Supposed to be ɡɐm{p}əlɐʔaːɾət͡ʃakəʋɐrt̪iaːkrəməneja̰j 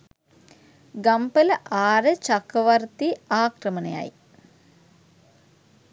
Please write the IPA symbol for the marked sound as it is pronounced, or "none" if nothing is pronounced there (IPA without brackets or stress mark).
p